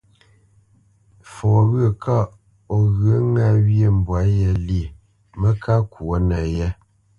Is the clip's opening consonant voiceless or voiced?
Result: voiceless